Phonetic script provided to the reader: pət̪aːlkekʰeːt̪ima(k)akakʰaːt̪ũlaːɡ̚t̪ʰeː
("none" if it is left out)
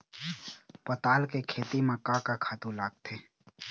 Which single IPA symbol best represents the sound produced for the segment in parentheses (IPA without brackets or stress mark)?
k